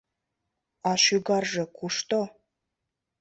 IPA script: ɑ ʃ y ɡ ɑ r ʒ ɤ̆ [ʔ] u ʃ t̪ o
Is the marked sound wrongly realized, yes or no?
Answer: yes